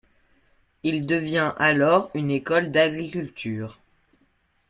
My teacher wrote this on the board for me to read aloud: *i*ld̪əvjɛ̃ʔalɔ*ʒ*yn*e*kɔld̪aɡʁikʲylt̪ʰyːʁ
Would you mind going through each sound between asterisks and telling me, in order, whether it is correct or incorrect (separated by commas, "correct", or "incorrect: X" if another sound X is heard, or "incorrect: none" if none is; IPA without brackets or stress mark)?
correct, incorrect: ʁ, correct